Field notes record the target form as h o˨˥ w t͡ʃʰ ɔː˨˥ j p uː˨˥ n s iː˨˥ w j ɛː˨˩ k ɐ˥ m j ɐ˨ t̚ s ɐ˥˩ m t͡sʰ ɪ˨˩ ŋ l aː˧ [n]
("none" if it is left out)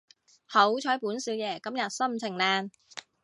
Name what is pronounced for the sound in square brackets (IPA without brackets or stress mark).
n